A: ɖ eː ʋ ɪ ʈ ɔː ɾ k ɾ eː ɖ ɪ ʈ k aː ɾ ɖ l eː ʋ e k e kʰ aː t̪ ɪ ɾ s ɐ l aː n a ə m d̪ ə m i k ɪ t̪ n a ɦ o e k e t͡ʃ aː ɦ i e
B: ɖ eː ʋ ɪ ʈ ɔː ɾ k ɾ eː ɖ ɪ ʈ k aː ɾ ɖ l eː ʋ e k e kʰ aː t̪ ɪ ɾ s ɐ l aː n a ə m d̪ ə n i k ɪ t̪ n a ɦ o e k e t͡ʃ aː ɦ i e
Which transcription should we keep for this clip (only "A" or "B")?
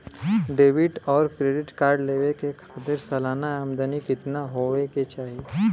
B